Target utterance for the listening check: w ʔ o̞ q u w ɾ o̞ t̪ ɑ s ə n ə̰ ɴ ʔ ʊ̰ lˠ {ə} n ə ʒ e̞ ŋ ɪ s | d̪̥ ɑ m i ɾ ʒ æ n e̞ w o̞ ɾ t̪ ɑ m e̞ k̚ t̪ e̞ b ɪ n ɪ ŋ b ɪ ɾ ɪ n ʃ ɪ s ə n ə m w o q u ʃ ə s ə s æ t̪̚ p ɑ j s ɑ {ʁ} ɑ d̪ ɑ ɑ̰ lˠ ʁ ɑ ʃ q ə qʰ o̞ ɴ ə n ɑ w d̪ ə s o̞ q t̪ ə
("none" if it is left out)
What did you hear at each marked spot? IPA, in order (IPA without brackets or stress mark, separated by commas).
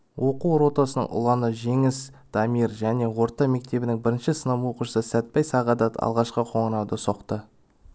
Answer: ɑ, ʁ